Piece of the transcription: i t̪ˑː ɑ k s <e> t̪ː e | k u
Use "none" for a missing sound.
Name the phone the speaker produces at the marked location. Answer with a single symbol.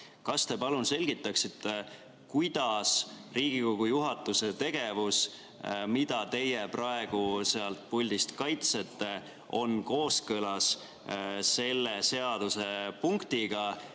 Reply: i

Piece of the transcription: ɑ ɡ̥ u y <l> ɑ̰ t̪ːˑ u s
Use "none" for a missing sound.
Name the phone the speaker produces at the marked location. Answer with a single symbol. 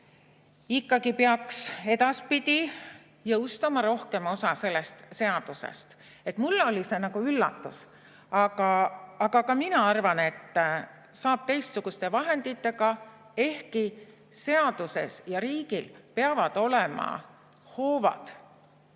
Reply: lː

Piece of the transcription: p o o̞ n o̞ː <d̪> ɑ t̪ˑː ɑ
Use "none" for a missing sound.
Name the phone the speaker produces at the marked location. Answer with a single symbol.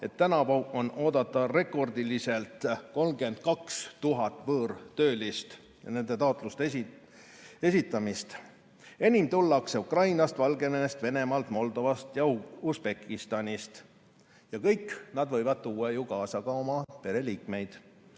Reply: d̪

